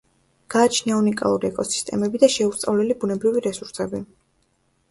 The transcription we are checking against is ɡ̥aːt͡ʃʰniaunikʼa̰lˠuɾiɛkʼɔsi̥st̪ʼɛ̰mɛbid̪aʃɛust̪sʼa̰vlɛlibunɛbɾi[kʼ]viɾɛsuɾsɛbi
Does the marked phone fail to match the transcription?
yes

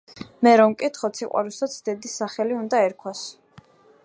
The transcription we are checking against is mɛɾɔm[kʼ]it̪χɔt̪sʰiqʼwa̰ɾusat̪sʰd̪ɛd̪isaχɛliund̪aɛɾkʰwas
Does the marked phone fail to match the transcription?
no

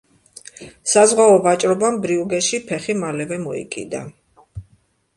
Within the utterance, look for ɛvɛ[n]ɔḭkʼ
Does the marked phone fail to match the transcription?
yes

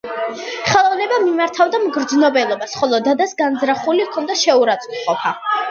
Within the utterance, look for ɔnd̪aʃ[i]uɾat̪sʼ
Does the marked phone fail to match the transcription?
yes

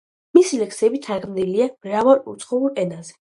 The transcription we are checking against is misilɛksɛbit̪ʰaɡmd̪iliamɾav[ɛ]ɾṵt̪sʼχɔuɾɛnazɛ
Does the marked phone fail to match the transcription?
yes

